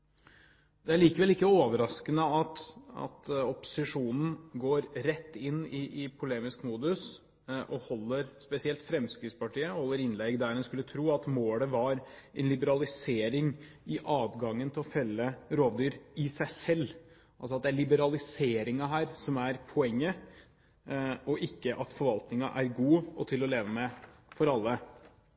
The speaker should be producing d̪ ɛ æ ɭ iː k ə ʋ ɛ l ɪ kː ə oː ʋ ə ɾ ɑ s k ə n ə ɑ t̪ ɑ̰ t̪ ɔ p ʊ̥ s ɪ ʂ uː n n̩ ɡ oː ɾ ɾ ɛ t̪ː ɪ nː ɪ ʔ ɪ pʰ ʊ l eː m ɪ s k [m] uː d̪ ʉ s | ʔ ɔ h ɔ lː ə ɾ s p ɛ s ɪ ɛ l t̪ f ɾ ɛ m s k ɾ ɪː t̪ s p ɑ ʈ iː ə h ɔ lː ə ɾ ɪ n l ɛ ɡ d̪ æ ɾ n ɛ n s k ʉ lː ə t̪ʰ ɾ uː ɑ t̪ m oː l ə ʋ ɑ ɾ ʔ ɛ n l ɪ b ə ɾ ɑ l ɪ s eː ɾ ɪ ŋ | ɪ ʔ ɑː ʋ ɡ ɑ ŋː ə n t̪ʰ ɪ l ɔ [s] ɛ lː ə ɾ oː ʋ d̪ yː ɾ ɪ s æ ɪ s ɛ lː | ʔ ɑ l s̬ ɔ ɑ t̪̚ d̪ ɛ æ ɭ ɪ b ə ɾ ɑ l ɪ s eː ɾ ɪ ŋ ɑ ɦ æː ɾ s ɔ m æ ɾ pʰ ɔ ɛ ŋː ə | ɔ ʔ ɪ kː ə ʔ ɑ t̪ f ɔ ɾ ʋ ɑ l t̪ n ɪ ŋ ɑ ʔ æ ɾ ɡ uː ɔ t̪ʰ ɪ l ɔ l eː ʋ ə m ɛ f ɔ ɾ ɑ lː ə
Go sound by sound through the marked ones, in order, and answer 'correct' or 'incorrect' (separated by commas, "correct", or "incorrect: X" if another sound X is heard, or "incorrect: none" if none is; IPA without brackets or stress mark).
correct, incorrect: f